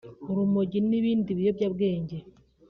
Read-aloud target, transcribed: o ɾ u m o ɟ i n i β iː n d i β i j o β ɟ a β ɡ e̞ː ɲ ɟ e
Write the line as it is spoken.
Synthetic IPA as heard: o ɾ u m o ɟ i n i β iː n d i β i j o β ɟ a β ɡ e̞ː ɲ ɟ e